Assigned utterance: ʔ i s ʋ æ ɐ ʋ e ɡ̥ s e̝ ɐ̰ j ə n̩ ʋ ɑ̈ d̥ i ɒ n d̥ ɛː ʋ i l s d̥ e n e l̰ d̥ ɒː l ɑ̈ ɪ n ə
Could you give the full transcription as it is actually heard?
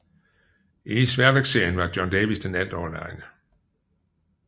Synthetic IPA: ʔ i s ʋ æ ɐ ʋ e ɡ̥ s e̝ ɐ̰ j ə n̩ ʋ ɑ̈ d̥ j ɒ n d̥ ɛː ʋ i s d̥ e n æ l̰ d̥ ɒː l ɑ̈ ɪ n ə